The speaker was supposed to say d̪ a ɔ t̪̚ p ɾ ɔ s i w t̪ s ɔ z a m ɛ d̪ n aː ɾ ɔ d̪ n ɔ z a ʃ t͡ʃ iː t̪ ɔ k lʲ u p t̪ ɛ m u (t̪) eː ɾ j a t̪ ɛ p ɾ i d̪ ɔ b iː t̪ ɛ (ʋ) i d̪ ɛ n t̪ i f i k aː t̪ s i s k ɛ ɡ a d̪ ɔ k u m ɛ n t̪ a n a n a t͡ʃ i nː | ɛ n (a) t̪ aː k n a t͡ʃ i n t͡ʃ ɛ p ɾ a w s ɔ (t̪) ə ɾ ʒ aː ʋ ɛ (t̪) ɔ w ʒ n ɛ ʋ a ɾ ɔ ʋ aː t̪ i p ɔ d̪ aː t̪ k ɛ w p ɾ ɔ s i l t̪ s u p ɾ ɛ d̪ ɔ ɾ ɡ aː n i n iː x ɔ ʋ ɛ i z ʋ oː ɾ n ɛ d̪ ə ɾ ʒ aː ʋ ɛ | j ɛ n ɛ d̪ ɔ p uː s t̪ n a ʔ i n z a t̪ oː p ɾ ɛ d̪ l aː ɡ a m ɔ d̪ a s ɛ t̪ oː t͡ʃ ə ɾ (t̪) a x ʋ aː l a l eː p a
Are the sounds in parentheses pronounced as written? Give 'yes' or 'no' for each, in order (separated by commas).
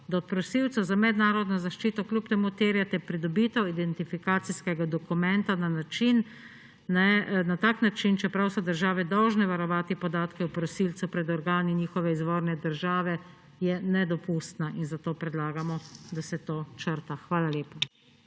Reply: yes, no, yes, no, no, yes